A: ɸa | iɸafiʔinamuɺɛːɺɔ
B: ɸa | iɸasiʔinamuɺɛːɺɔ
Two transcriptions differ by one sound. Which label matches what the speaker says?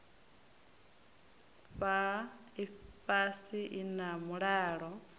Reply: B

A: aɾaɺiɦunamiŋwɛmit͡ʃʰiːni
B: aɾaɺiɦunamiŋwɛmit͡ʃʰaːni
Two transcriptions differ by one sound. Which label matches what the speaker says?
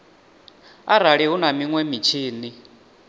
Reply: A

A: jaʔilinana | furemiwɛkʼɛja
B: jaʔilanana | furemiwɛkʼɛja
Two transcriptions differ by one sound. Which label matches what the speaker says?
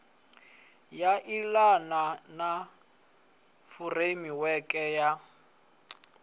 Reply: B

